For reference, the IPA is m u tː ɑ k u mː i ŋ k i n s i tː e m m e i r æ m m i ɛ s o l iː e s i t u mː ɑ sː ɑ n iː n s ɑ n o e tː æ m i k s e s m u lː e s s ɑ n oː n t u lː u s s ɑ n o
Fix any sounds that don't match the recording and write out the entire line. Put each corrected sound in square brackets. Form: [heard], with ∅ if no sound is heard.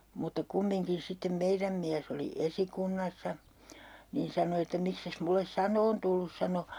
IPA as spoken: m u tː ɑ k u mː i ŋ k i n s i tː e m m e i r æ m m i [æ] s o l [i] e s i [k] u [nː] ɑ sː ɑ n iː n s ɑ n o e tː æ m i k s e s m u lː e s s ɑ n oː n t u lː u s s ɑ n o